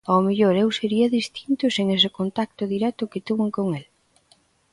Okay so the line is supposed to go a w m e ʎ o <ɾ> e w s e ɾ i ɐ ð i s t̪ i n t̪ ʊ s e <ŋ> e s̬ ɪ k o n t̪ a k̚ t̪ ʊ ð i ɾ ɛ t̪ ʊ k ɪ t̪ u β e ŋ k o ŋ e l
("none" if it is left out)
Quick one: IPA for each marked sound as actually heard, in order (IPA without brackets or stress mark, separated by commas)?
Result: ɾ, ŋ